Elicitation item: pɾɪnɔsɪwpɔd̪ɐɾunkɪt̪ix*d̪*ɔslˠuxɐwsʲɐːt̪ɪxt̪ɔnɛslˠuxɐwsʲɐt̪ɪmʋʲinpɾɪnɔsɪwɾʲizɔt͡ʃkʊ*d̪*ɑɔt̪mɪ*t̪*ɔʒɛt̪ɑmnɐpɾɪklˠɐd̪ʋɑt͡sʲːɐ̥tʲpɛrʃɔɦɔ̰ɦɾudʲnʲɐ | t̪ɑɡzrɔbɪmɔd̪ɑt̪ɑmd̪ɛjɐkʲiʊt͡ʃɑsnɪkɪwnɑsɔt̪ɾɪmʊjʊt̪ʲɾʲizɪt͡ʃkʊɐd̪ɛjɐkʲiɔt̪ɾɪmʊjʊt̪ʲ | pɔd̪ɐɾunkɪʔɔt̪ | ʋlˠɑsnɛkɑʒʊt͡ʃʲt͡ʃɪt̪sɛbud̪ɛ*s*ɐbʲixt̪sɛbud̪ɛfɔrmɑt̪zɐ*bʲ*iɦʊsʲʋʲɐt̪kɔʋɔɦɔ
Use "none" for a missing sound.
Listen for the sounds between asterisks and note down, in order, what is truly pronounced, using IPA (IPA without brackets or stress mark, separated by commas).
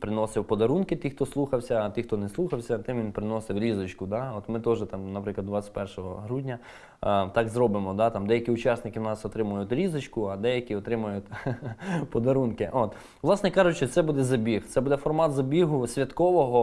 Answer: t̪, d̪, t̪, z, bʲ